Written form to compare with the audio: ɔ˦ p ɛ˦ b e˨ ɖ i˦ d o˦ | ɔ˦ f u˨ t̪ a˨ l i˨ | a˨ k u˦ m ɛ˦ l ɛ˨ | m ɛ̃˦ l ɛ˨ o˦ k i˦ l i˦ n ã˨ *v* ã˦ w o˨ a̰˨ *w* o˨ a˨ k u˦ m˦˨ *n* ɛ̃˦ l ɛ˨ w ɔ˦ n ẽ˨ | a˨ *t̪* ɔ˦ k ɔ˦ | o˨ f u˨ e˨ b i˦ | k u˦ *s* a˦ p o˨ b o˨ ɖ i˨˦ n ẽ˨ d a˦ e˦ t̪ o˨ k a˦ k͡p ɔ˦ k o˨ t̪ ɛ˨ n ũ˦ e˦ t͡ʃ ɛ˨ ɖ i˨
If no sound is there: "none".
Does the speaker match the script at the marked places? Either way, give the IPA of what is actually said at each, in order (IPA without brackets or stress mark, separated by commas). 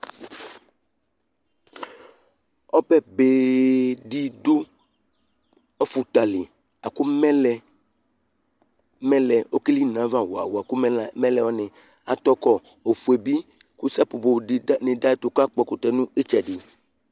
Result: v, w, m, t̪, s